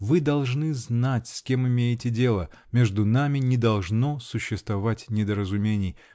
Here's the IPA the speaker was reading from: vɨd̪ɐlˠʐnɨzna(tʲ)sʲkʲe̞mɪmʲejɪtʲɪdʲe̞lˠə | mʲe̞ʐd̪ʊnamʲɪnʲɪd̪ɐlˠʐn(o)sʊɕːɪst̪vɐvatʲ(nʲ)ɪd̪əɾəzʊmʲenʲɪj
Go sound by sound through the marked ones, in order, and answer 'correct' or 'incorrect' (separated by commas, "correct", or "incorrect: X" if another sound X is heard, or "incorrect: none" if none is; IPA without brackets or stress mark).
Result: correct, correct, correct